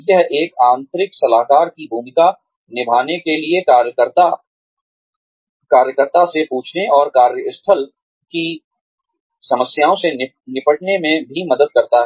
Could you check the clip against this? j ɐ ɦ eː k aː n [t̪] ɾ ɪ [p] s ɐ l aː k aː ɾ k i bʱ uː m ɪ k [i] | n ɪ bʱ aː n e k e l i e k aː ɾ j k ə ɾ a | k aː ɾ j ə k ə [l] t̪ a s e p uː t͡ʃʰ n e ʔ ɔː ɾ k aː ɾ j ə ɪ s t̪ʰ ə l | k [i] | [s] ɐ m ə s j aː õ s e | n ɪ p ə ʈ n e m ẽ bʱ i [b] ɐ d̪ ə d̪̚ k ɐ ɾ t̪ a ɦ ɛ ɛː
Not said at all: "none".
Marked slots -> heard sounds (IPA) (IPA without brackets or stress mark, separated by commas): t̪, k, a, ɾ, i, s, m